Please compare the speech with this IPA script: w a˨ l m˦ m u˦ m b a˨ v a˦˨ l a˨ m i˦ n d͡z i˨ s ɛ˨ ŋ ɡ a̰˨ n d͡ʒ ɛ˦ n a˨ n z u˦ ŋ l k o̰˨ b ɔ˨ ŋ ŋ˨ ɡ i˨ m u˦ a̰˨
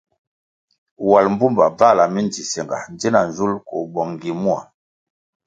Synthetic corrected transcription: w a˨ l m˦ b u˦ m b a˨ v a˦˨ l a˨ m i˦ n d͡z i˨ s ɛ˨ ŋ ɡ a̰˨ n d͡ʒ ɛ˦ n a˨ n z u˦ l k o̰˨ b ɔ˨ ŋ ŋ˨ ɡ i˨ m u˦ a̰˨